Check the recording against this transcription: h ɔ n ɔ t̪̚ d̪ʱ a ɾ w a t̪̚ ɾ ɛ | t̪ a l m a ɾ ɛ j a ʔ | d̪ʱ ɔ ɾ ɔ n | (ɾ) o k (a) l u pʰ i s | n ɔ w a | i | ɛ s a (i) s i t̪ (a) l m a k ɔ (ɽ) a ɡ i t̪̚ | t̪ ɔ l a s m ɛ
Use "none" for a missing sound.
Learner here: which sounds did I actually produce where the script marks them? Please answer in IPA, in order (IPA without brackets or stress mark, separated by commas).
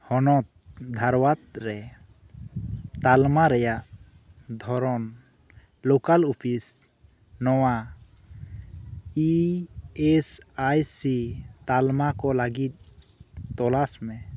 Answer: l, a, j, a, l